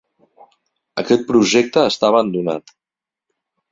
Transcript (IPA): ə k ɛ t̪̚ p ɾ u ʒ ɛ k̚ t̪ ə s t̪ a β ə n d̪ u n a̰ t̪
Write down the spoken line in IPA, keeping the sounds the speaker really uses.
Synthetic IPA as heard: ə k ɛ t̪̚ p ɾ u ʒ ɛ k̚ t̪ əː s t̪ a β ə n d̪ u n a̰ t̪

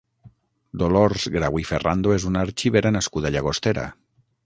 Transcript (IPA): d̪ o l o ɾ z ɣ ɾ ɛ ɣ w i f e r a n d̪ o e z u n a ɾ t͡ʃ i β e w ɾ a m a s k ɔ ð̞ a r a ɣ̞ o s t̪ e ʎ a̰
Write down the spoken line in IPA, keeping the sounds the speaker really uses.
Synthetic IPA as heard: d̪ o l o ɾ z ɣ ɾ a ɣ w i f e r a n d̪ o e z u n a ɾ t͡ʃ i β e ɾ a n a s k u ð̞ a ʎ a ɣ̞ o s t̪ e ɾ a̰

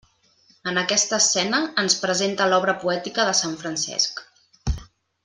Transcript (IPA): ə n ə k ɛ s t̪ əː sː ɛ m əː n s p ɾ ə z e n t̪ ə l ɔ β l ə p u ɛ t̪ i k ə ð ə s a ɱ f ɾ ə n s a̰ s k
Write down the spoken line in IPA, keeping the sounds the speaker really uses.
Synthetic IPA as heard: ə n ə k ɛ s t̪ əː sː ɛ n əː n s p ɾ ə z e n t̪ ə l ɔ β ɾ ə p u ɛ t̪ i k ə ð ə s a ɱ f ɾ ə n s ɛ̰ s k

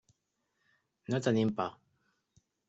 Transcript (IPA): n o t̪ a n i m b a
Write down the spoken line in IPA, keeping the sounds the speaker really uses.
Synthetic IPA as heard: n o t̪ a n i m p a

